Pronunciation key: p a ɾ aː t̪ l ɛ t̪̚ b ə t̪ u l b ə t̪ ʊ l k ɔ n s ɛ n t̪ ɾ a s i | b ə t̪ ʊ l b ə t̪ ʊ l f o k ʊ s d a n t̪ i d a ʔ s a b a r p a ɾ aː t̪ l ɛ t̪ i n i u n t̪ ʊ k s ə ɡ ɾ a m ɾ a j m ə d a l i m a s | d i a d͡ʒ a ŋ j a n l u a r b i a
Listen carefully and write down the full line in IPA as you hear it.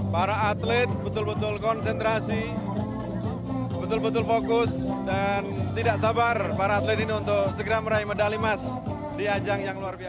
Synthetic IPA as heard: p a ɾ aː t̪ l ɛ t̪̚ b ə t̪ ʊ l b ə t̪ ʊ l k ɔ n s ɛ n t̪ ɾ a s i | b ə t̪ ʊ l b ə t̪ ʊ l f o k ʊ s d a n t̪ i d a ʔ s a b a r p a ɾ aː t̪ l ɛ t̪ i n i u n t̪ ʊ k s ə ɡ ɾ a m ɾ a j m ə d a l i m a s | d i a d͡ʒ a ŋ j a ŋ l u a r b i a